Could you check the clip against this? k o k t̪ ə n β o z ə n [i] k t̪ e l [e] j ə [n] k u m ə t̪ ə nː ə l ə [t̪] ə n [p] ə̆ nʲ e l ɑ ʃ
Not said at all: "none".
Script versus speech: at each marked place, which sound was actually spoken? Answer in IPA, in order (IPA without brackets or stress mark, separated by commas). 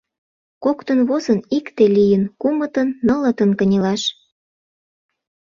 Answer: i, i, n, t̪, k